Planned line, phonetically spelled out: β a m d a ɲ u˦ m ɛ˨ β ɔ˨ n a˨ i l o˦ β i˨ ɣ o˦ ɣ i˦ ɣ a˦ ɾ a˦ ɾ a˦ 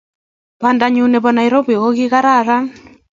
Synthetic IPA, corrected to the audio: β a n d a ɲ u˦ n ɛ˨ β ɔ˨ n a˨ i ɾ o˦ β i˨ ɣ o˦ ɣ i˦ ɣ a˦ ɾ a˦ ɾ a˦